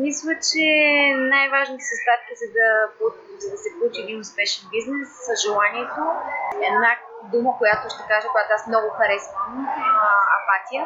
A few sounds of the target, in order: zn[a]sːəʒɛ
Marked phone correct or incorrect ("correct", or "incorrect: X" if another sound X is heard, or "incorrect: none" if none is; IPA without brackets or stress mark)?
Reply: incorrect: ɛ